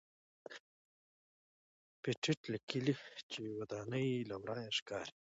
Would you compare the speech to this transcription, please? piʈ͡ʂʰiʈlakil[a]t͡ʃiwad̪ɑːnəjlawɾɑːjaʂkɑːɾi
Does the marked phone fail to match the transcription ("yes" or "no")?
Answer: yes